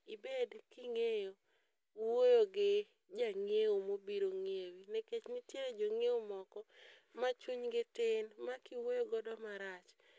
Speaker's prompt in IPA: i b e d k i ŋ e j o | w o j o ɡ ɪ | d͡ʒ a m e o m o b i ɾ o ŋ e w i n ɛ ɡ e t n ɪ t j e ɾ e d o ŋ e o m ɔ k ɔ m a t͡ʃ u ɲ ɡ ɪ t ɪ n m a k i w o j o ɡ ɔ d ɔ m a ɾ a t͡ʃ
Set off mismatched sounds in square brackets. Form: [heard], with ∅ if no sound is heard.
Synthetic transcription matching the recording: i b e d k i ŋ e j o | w o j o ɡ ɪ | d͡ʒ a [ŋ] e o m o b i ɾ o ŋ e w i n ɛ [k] e [t͡ʃ] n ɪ t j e ɾ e [d͡ʒ] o ŋ e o m ɔ k ɔ m a t͡ʃ u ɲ ɡ ɪ t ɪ n m a k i w o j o ɡ ɔ d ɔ m a ɾ a t͡ʃ